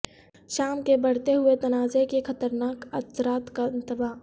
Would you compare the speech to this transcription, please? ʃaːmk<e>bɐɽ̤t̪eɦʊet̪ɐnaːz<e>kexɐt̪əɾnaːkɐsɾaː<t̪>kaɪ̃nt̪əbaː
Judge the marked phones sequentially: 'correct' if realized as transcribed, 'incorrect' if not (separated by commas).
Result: correct, correct, correct